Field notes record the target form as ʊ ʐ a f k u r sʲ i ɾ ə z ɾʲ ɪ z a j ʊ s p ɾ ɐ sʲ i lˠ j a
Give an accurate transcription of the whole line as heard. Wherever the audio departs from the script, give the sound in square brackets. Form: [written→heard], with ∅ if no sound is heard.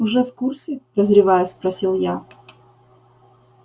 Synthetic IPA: ʊ ʐ [a→ɛ] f k u r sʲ [i→ɪ] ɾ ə z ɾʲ ɪ [z→v] a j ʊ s p ɾ ɐ sʲ i lˠ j a